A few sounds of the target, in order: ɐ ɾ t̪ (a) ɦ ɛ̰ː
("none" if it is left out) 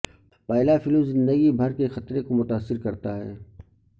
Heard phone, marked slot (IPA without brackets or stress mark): a